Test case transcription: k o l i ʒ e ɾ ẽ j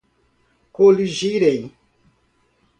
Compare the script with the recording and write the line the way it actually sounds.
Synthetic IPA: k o l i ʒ i ɾ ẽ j